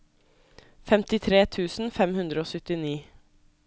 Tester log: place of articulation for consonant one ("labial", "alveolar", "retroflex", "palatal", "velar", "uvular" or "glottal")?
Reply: labial